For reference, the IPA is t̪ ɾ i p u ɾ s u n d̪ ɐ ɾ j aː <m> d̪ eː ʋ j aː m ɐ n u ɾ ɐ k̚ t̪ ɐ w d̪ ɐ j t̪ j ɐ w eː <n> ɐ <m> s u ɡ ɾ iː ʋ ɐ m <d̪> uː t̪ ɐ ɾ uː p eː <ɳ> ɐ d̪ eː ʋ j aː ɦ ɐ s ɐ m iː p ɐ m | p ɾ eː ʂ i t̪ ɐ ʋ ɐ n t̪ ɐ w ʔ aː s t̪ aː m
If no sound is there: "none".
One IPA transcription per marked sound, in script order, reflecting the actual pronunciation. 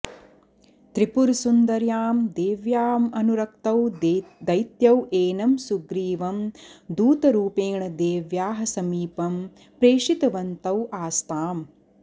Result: m, n, m, d̪, ɳ

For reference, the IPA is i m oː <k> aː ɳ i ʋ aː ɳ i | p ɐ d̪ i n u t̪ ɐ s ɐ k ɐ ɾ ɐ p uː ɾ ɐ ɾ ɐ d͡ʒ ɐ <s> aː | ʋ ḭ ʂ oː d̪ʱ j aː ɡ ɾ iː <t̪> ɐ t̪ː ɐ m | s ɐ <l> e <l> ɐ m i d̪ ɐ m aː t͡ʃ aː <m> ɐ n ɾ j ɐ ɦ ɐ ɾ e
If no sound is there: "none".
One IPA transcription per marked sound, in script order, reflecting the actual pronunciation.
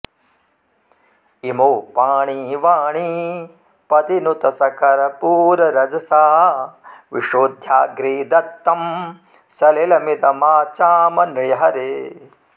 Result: p, s, d̪, l, l, m

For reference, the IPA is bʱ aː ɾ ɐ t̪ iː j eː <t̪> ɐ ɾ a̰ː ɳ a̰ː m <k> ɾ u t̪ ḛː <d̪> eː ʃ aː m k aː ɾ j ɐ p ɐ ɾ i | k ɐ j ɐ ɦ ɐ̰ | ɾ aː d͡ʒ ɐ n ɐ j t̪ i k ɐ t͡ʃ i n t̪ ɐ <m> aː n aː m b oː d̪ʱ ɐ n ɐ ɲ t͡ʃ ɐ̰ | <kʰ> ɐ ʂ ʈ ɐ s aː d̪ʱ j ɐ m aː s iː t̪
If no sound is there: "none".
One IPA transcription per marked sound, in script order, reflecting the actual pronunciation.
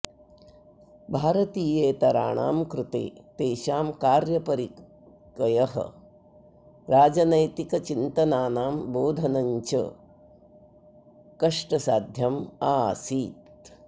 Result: t̪, k, t̪, n, k

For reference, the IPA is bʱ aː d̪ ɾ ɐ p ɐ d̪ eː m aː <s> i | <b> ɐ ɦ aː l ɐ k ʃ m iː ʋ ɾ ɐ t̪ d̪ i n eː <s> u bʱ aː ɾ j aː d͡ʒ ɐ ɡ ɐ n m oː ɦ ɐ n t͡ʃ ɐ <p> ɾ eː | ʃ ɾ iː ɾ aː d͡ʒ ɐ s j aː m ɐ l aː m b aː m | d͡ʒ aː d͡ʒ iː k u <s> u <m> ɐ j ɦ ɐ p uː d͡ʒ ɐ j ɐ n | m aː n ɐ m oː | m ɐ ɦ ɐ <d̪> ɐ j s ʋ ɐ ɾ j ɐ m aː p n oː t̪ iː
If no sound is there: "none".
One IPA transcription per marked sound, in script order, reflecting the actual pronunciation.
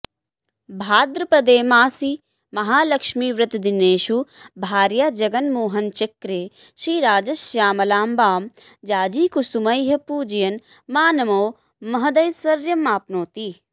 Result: s, m, ʃ, k, s, m, d̪

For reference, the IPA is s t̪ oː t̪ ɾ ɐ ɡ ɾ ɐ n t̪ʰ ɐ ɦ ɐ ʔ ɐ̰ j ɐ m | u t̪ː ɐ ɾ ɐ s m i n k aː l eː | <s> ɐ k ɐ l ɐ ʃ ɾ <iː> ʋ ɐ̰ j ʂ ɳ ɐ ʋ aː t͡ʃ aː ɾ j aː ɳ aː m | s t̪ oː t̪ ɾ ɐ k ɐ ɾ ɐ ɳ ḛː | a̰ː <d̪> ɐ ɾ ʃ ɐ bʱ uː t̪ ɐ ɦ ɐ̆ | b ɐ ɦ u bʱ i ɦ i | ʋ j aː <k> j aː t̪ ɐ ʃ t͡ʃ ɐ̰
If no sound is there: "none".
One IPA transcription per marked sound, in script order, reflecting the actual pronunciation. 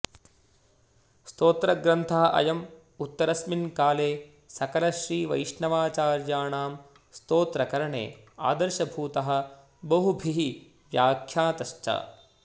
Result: s, iː, d̪, kʰ

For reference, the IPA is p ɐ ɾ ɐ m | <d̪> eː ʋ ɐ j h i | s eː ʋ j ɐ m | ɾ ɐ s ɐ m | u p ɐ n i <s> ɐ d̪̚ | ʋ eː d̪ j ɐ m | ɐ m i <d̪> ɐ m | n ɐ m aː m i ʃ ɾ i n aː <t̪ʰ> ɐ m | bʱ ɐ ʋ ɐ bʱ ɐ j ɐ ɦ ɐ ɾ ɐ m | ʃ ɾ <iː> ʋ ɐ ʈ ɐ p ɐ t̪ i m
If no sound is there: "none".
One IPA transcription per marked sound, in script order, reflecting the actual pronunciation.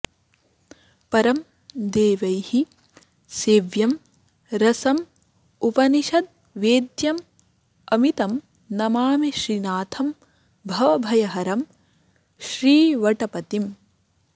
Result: d̪, ʃ, t̪, t̪ʰ, iː

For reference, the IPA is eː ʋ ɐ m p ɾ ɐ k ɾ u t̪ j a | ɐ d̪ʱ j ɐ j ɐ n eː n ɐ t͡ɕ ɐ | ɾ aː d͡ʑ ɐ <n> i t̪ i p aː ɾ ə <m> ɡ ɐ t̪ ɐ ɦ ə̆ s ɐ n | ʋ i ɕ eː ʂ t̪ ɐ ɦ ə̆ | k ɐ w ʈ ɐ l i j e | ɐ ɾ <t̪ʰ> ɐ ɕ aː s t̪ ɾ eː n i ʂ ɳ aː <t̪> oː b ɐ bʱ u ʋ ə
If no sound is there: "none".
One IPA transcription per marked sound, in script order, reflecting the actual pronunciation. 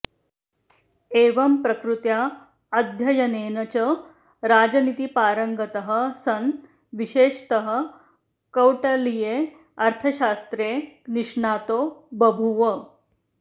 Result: n, ŋ, t̪ʰ, t̪

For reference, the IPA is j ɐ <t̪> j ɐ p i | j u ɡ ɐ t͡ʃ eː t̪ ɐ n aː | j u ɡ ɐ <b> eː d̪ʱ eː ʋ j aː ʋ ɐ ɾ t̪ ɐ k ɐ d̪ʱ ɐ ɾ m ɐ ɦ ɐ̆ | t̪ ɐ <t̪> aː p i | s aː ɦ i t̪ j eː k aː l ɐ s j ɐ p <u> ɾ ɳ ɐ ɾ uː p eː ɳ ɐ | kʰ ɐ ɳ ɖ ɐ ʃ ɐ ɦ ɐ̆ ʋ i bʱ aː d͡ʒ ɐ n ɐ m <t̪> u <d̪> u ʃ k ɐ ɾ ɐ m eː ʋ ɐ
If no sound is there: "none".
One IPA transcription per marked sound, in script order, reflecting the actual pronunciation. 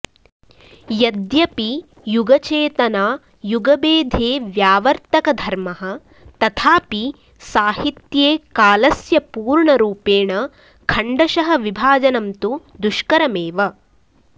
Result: d̪, b, t̪ʰ, uː, t̪, d̪

